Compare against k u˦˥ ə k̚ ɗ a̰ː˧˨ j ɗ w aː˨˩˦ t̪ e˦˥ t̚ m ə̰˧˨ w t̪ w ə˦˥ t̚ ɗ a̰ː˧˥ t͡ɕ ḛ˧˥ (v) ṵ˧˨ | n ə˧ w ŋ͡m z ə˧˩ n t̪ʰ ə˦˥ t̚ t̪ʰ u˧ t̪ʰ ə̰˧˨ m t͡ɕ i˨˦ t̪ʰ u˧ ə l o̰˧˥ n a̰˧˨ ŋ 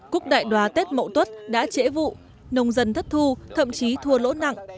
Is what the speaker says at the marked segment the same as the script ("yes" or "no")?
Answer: yes